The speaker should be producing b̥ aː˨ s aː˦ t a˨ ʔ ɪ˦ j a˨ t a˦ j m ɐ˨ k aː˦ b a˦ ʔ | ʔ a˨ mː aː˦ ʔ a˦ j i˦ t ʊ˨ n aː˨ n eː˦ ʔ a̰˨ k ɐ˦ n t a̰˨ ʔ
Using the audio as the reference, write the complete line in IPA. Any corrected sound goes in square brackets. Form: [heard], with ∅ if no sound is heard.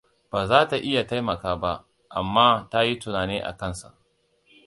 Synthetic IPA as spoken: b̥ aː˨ [z] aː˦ t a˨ ʔ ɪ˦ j a˨ t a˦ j m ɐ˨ k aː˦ b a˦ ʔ | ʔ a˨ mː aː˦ [t] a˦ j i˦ t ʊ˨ n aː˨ n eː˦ ʔ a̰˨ k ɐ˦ n [s] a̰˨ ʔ